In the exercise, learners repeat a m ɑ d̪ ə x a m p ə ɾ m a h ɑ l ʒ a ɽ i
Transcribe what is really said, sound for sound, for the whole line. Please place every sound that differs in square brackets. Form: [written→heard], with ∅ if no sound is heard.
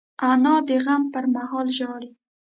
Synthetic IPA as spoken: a [m→n] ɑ d̪ ə [x→ɣ] a m p ə ɾ m a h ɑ l ʒ [a→ɑ] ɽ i